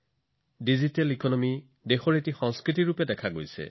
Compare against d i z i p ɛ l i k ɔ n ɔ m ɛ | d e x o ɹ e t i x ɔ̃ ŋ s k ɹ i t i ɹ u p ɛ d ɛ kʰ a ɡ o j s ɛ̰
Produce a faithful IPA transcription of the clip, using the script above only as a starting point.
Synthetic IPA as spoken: d i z i t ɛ l i k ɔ n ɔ m i | d e x ɔ ɹ e t i x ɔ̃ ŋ s k ɹ i t i ɹ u p ɛ d ɛ kʰ a ɡ o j s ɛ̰